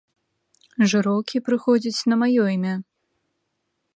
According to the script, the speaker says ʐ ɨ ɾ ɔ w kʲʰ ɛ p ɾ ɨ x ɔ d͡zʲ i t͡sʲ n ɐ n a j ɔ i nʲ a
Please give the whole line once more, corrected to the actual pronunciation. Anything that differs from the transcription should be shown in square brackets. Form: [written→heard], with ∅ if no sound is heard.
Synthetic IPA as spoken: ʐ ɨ ɾ ɔ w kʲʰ [ɛ→i] p ɾ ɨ x ɔ d͡zʲ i t͡sʲ n ɐ [n→m] a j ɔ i [nʲ→mʲ] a

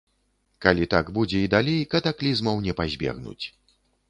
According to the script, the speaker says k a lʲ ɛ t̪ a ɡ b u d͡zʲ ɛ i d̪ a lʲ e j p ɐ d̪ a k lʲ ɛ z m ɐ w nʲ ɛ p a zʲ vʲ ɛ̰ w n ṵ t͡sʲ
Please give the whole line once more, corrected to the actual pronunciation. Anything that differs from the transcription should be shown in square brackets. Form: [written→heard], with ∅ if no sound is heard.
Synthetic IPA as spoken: k a lʲ [ɛ→i] t̪ a ɡ b u d͡zʲ ɛ i d̪ a lʲ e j [p→k] ɐ [d̪→t̪] a k lʲ [ɛ→i] z m ɐ w nʲ ɛ p a zʲ [vʲ→bʲ] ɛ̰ [w→ɣ] n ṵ t͡sʲ

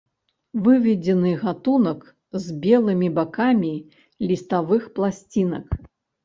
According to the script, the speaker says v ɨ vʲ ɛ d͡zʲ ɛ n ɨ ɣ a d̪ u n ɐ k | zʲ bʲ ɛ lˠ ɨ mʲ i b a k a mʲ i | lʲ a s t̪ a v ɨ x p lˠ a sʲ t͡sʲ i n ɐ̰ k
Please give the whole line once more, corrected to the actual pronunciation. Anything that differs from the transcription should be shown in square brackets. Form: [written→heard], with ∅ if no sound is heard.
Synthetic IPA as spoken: v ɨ vʲ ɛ d͡zʲ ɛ n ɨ ɣ a [d̪→t̪] u n ɐ k | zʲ bʲ ɛ lˠ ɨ mʲ i b a k a mʲ i | lʲ [a→i] s t̪ a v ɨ x p lˠ a sʲ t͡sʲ i n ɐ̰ k

